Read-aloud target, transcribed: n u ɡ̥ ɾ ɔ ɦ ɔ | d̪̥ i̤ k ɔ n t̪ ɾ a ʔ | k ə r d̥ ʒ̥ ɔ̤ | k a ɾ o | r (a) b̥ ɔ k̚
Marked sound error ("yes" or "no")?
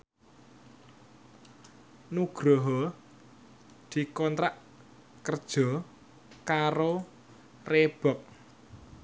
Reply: yes